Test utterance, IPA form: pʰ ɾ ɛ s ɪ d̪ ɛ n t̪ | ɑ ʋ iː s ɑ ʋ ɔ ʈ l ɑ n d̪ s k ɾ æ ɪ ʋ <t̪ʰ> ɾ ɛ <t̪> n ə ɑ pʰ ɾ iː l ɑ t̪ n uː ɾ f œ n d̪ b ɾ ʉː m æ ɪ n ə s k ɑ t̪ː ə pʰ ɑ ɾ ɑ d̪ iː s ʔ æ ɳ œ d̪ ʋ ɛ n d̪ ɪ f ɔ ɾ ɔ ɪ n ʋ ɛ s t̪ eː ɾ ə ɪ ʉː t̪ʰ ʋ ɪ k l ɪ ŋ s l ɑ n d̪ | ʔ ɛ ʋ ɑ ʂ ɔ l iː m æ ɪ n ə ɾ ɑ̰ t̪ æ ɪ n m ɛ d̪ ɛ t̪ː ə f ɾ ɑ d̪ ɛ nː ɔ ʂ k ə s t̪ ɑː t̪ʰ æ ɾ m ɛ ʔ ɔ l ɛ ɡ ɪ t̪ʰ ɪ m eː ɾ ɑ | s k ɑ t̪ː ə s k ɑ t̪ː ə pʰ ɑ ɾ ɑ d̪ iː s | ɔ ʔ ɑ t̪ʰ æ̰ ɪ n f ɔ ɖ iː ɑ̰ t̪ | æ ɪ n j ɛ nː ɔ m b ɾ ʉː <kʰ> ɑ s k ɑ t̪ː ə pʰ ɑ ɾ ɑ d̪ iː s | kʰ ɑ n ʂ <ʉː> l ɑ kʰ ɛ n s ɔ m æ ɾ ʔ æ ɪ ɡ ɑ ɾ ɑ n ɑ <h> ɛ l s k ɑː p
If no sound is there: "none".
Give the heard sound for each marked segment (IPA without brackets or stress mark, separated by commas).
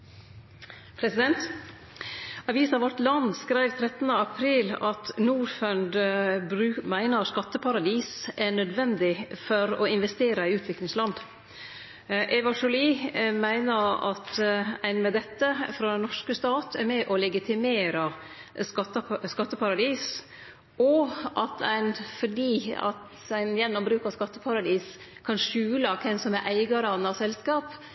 t̪ʰ, t̪, k, ʉː, s